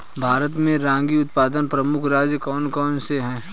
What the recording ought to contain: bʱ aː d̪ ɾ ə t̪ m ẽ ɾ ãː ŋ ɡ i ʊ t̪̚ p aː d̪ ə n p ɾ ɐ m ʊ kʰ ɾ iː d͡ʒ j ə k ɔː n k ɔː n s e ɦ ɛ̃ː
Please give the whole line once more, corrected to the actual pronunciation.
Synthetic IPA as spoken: bʱ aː ɾ ə t̪ m ẽ ɾ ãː ŋ ɡ i ʊ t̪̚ p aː d̪ ə n p ɾ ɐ m ʊ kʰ ɾ aː d͡ʒ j ə k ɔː n k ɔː n s e ɦ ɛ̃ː